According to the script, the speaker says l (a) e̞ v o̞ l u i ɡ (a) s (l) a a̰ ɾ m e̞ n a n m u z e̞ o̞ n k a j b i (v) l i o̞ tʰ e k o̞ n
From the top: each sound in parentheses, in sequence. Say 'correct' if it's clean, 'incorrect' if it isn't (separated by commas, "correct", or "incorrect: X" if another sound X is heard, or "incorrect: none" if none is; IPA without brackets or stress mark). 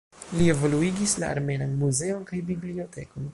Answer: incorrect: i, incorrect: i, correct, incorrect: b